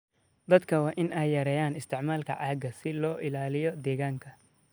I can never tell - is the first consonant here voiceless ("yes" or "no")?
no